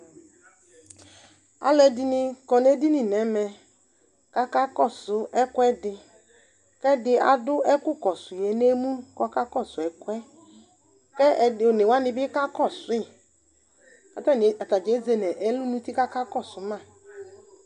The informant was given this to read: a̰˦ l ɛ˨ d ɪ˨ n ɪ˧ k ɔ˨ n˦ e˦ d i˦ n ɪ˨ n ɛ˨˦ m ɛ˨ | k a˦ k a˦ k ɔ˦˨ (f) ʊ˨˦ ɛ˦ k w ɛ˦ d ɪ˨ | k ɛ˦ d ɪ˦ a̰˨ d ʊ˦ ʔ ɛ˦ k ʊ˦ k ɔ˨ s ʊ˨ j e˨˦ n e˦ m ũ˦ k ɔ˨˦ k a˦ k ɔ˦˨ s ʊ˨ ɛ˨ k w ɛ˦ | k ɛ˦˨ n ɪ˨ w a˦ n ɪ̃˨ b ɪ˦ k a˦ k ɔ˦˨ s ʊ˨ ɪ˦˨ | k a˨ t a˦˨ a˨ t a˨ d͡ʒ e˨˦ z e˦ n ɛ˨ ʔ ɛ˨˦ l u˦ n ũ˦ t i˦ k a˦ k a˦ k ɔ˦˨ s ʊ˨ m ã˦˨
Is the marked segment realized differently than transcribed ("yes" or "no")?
yes